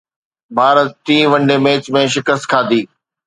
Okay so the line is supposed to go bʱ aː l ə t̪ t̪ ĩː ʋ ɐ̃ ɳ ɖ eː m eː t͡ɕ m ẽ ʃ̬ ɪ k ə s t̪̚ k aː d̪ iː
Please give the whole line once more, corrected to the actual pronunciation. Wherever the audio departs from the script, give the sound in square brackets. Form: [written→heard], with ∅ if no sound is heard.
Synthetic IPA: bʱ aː [l→ɾ] ə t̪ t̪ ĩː ʋ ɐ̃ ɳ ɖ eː m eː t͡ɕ m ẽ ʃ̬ ɪ k ə s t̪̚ [k→kʰ] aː d̪ iː

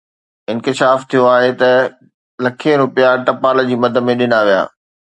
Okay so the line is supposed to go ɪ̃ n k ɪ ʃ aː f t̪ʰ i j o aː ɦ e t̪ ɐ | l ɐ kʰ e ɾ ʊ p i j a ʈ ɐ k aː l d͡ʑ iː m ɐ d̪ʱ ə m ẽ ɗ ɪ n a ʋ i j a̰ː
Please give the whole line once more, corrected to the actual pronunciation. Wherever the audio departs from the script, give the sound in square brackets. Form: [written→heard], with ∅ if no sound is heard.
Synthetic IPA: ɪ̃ n k ɪ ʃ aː f t̪ʰ i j o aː ɦ e t̪ ɐ | l ɐ kʰ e ɾ ʊ p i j a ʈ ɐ [k→p] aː l d͡ʑ iː m ɐ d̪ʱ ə m ẽ ɗ ɪ n a ʋ i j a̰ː

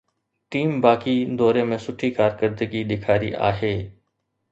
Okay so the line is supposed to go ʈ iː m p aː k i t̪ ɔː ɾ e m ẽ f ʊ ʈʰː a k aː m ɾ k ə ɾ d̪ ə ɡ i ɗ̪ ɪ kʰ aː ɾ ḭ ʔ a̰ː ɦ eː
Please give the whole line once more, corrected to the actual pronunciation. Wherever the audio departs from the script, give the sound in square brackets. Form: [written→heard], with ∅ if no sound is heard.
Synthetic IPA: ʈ iː m [p→b] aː k i [t̪→d̪] ɔː ɾ e m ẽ [f→s] ʊ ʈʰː [a→i] k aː [m→∅] ɾ k ə ɾ d̪ ə ɡ i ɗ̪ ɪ kʰ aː ɾ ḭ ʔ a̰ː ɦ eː

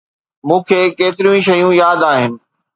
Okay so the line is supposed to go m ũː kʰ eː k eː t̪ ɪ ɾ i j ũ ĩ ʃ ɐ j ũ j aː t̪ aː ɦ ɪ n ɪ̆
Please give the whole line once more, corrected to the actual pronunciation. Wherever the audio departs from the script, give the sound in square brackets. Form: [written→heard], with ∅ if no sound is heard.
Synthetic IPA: m ũː kʰ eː k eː t̪ ɪ ɾ i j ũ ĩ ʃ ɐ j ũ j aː [t̪→d̪] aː ɦ ɪ n ɪ̆

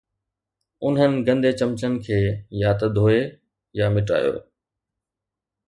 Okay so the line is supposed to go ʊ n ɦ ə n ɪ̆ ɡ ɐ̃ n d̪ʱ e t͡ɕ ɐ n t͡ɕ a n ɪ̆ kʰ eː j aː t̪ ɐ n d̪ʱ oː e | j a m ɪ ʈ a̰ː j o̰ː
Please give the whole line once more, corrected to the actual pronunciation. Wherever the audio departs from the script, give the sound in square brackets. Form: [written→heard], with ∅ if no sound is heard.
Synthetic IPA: ʊ n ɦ ə n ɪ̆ ɡ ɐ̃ n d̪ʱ e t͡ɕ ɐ [n→m] t͡ɕ [a→ə] n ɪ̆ kʰ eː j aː t̪ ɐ [n→∅] d̪ʱ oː e | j a m ɪ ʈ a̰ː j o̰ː

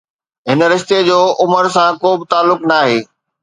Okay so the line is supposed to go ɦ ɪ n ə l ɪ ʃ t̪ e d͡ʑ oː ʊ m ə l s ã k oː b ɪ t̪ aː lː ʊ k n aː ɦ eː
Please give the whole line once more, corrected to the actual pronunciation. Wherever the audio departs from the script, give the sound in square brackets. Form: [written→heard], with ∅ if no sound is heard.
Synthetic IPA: ɦ ɪ n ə [l→ɾ] ɪ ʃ t̪ e d͡ʑ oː ʊ m ə [l→ɾ] s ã k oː b ɪ t̪ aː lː ʊ k n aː ɦ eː

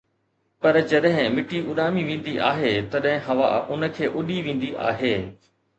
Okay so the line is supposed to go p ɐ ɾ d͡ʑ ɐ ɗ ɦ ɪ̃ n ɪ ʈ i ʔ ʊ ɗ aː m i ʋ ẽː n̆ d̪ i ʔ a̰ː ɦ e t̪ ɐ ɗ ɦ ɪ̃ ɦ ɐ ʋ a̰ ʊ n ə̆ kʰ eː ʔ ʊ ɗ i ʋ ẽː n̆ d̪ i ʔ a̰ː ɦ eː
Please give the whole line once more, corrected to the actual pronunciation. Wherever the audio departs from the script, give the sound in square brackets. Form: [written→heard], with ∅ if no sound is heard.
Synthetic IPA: p ɐ ɾ d͡ʑ ɐ ɗ ɦ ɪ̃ [n→m] ɪ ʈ i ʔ ʊ ɗ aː m i ʋ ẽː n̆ d̪ i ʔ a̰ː ɦ e t̪ ɐ ɗ ɦ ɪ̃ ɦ ɐ ʋ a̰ ʊ n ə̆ kʰ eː ʔ ʊ ɗ i ʋ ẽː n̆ d̪ i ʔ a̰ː ɦ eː

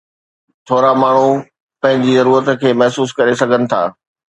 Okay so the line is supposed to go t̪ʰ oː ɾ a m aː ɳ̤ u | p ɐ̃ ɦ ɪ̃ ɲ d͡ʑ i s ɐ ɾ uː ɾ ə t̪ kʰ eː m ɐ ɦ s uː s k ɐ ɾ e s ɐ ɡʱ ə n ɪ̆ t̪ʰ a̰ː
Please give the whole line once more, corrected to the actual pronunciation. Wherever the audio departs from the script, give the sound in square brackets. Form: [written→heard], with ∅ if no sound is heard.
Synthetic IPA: t̪ʰ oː ɾ a m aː ɳ̤ u | p ɐ̃ ɦ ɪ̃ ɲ d͡ʑ i [s→z] ɐ ɾ uː ɾ ə t̪ kʰ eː m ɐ ɦ s uː s k ɐ ɾ e s ɐ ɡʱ ə n ɪ̆ t̪ʰ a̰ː

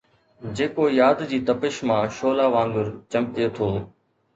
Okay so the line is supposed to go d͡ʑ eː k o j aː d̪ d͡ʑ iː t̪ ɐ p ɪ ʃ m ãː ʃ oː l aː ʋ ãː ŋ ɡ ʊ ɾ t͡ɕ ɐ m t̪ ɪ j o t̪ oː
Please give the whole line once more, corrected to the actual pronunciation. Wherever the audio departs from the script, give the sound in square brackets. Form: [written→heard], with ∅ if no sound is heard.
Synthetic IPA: d͡ʑ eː k o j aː d̪ d͡ʑ iː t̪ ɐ p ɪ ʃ m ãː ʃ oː l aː ʋ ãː ŋ ɡ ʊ ɾ t͡ɕ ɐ m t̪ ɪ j o [t̪→t̪ʰ] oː

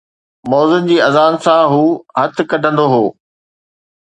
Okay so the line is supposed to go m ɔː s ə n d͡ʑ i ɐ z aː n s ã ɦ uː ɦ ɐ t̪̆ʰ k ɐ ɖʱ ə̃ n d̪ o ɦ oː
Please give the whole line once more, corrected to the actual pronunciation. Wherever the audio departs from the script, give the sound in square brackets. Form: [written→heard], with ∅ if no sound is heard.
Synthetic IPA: m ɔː [s→z] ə n d͡ʑ [i→iː] ɐ z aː n s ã ɦ uː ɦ ɐ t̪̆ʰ k ɐ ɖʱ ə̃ n d̪ o ɦ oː

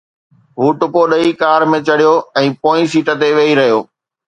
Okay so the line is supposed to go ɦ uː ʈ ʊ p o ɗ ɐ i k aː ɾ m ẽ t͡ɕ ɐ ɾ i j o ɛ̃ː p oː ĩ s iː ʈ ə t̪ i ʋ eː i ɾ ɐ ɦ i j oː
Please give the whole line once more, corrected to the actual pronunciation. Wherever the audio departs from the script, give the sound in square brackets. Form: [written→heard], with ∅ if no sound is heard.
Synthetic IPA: ɦ uː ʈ ʊ p o ɗ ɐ i k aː ɾ m ẽ t͡ɕ ɐ [ɾ→ɽ] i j o ɛ̃ː p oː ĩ s iː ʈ ə t̪ [i→e] ʋ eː i ɾ ɐ ɦ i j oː

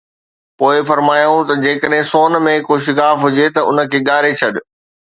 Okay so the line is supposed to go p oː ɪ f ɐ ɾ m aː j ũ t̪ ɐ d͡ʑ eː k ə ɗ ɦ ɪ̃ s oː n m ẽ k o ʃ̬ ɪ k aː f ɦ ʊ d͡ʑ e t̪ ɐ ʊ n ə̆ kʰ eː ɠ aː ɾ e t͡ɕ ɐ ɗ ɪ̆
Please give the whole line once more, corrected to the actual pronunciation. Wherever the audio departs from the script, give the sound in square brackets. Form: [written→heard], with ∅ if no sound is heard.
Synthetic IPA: p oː ɪ f ɐ ɾ m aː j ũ t̪ ɐ d͡ʑ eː k ə ɗ ɦ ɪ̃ s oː n m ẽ k o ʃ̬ ɪ k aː f ɦ ʊ d͡ʑ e t̪ ɐ ʊ n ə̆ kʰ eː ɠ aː ɾ e [t͡ɕ→t͡ɕʰ] ɐ ɗ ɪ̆

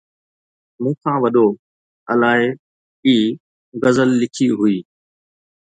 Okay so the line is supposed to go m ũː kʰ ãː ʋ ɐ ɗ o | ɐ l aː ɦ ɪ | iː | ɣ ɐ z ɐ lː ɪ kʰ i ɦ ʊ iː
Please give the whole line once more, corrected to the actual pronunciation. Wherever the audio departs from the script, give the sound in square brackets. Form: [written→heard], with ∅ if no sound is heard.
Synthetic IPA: m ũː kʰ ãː ʋ ɐ ɗ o | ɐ l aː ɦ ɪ | iː | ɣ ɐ z [ɐ→ə] lː ɪ kʰ i ɦ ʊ iː

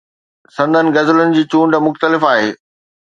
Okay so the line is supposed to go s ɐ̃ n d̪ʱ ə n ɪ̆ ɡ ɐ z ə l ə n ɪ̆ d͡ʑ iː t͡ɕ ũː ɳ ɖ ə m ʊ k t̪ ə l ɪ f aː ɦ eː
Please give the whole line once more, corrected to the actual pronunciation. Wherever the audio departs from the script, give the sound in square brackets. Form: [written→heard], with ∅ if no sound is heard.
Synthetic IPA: s ɐ̃ n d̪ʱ ə n ɪ̆ ɡ ɐ z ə l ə n ɪ̆ d͡ʑ iː t͡ɕ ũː ɳ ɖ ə m ʊ [k→x] t̪ ə l ɪ f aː ɦ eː

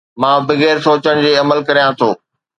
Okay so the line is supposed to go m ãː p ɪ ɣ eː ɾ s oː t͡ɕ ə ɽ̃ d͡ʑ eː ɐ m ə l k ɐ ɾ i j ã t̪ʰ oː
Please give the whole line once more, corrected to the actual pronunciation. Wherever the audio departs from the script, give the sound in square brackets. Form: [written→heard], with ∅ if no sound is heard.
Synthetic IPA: m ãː [p→b] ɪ ɣ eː ɾ s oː t͡ɕ ə ɽ̃ d͡ʑ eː ɐ m ə l k ɐ ɾ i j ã t̪ʰ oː

